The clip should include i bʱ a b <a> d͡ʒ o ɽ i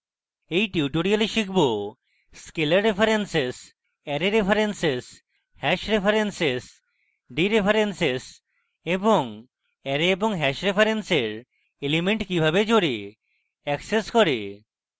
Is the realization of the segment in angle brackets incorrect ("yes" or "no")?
yes